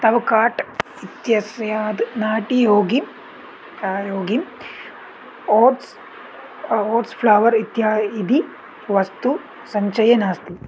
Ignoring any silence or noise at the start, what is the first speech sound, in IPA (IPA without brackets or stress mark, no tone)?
t̪